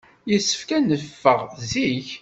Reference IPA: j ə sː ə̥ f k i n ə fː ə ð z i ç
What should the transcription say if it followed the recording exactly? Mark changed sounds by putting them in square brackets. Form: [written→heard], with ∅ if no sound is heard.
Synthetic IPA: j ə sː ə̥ f k [i→æ] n ə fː ə [ð→ʁ] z i ç